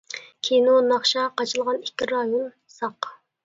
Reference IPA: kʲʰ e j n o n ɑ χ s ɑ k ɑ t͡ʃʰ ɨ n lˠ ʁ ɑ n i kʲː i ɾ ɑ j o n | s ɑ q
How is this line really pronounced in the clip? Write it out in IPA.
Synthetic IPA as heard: kʲʰ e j n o n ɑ χ ʃ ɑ q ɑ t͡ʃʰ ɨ lˠ ʁ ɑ n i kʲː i ɾ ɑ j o n | s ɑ q